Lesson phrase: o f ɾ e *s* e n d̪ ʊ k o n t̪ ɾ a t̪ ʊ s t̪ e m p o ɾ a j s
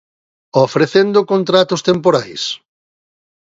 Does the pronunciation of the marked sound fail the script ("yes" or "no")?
yes